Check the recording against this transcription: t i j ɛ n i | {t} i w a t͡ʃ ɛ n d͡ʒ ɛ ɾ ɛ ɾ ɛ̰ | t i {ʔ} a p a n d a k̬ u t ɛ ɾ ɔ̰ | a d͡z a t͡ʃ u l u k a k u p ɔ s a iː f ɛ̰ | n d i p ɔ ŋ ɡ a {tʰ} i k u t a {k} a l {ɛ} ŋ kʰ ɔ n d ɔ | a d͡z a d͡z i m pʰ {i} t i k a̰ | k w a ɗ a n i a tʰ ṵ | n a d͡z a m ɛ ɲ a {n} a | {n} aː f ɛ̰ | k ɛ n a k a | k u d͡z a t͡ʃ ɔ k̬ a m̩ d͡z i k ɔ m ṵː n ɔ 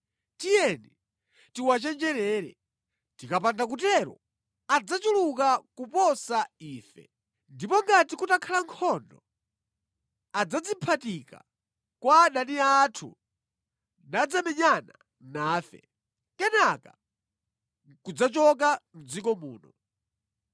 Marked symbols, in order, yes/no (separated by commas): yes, no, no, no, no, no, yes, yes